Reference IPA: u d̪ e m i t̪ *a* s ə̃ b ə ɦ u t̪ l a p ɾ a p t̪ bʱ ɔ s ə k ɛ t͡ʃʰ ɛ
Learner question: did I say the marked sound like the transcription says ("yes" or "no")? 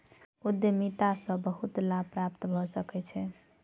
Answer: yes